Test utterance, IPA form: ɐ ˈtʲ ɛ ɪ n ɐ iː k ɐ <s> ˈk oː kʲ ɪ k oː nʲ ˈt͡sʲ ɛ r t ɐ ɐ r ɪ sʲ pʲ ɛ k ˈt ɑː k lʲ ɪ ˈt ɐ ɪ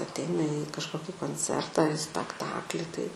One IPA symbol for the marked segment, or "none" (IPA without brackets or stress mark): ʃ